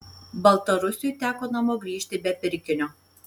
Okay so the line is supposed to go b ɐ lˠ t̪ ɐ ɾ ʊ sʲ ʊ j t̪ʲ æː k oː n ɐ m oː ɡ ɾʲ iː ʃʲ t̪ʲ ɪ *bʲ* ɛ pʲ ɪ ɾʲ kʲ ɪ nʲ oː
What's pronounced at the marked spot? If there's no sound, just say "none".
bʲ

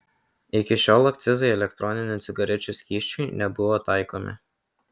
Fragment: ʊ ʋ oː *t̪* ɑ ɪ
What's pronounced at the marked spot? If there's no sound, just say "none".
t̪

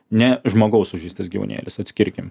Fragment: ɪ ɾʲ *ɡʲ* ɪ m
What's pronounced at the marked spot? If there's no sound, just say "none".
kʲ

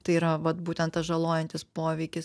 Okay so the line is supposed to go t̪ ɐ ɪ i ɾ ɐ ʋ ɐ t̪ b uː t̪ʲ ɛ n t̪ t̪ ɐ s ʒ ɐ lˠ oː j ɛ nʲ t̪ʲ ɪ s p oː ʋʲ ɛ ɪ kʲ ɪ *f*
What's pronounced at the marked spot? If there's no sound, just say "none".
s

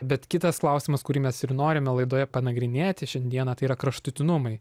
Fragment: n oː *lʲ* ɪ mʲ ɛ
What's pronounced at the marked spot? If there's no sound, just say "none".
ɾʲ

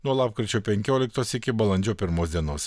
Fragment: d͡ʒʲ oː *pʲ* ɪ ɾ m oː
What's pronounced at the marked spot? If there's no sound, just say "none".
pʲ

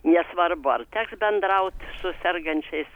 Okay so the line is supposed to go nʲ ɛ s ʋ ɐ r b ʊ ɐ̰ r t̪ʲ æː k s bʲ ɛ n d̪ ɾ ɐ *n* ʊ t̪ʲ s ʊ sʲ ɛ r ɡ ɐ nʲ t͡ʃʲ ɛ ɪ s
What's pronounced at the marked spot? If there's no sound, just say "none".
none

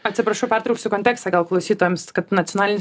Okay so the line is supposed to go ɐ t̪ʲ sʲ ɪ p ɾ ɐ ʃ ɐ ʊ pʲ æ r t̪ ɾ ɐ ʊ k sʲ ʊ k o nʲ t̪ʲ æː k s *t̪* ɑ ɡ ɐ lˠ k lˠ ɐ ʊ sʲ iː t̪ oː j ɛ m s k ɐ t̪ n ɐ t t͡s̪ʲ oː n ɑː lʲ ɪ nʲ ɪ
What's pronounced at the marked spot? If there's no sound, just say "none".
t̪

